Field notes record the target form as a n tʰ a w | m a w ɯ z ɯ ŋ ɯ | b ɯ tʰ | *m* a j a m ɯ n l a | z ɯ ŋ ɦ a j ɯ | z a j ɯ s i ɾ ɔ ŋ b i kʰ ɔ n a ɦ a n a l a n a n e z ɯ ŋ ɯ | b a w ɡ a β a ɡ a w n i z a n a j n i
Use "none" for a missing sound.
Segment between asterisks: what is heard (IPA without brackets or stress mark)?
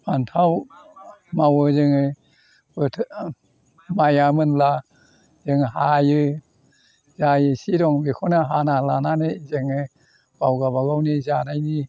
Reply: m